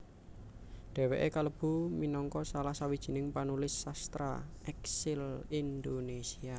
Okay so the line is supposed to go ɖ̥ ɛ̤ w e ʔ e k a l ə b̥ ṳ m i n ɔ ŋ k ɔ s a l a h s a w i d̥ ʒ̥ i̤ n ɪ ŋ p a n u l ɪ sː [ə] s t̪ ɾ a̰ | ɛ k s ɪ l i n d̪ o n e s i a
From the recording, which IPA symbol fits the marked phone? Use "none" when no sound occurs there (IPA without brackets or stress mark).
a